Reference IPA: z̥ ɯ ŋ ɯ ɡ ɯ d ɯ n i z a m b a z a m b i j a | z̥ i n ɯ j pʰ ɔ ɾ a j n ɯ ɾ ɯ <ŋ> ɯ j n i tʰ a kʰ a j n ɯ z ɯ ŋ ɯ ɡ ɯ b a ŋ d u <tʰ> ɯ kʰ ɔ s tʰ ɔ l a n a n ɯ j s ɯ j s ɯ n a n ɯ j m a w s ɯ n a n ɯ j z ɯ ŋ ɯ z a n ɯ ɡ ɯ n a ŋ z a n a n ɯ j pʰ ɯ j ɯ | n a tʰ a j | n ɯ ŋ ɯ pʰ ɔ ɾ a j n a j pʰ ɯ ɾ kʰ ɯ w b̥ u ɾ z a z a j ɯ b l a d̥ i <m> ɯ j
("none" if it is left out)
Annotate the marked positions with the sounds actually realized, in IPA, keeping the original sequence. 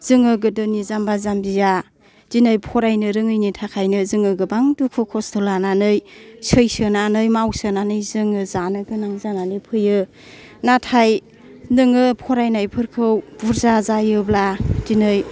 ŋ, kʰ, n

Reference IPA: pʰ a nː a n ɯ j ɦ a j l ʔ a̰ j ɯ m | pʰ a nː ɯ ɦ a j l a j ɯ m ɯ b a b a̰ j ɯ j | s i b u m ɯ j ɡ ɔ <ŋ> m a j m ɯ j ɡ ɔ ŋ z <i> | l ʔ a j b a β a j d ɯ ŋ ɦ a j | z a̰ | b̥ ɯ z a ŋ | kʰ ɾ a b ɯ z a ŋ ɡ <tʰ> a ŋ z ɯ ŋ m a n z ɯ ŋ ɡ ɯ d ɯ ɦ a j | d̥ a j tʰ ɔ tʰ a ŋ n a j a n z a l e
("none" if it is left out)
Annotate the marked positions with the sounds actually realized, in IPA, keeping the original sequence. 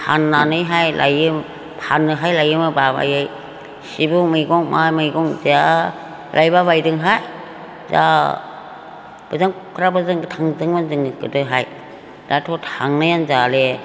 ŋ, a, tʰ

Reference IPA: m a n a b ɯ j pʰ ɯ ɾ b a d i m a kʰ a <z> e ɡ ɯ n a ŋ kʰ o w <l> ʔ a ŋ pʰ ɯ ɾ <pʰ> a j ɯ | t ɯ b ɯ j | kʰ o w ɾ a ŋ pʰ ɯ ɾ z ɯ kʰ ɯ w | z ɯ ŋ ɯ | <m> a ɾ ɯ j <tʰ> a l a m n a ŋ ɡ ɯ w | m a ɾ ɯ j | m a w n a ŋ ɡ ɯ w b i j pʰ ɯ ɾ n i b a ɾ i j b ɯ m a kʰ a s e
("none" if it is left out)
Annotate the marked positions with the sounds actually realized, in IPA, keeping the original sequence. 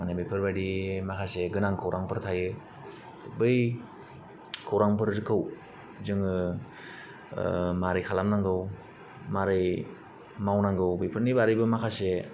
s, ɾ, tʰ, m, kʰ

